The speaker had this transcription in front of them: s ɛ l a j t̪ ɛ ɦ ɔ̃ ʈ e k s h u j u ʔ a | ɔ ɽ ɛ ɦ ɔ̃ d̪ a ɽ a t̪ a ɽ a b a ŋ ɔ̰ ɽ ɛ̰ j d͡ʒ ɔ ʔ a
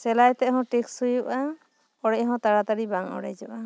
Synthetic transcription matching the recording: s ɛ l a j t̪ ɛ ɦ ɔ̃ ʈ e k s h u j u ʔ a | ɔ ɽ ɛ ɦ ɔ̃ t̪ a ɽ a t̪ a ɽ i b a ŋ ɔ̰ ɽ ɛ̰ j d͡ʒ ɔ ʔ a